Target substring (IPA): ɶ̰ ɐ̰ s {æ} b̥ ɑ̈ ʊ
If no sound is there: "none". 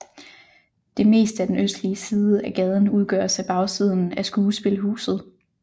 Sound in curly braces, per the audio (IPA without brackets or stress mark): æ